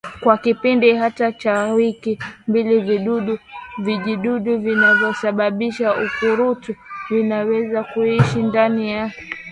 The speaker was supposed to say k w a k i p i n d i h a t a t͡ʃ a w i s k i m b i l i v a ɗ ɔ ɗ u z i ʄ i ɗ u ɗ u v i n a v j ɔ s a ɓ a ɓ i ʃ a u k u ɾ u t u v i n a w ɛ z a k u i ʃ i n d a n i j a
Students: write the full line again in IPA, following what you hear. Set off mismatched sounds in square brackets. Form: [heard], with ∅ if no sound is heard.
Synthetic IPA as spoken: k w a k i p i n d i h a t a t͡ʃ a w i [∅] k i m b i l i v [i] ɗ [u] ɗ u [v] i ʄ i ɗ u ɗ u v i n a v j ɔ s a ɓ a ɓ i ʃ a u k u ɾ u t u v i n a w ɛ z a k u i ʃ i n d a n i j a